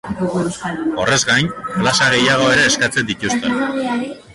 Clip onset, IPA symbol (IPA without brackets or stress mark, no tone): o̞